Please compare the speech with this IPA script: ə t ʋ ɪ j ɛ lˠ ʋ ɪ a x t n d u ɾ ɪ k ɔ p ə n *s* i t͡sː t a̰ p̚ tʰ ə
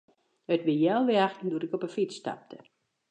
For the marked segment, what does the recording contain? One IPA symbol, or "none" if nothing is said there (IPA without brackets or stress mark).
f